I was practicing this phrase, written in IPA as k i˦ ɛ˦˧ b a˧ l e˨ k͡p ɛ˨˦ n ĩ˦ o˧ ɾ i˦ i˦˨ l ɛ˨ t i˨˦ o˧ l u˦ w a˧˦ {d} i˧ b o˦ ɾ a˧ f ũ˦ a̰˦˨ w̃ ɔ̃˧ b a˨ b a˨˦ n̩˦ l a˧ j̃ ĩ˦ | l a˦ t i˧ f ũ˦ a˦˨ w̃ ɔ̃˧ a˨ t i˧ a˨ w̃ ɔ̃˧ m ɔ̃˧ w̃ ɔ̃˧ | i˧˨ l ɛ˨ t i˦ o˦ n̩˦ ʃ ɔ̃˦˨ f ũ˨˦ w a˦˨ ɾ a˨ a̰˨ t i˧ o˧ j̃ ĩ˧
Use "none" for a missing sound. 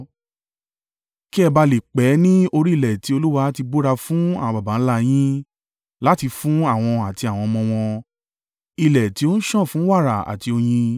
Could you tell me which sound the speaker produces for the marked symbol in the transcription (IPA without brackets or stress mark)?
t